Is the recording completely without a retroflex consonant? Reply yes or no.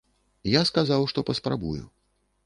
no